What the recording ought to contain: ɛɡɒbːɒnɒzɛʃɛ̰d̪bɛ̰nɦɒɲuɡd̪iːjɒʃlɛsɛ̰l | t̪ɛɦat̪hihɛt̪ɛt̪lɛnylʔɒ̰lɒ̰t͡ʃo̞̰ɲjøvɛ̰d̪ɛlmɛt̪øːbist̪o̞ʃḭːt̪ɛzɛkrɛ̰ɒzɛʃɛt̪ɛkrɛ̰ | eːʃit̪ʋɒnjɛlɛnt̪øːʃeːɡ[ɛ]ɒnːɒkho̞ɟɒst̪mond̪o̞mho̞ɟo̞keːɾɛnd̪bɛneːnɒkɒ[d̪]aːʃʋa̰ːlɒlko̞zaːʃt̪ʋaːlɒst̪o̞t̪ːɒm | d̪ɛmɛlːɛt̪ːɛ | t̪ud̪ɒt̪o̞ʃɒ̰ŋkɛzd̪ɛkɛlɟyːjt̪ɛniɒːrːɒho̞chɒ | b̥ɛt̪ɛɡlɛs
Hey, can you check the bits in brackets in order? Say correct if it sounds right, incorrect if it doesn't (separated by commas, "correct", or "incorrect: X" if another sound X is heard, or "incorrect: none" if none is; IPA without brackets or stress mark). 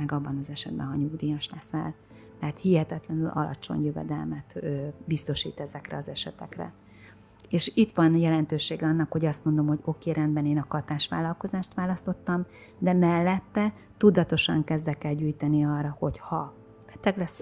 correct, incorrect: t̪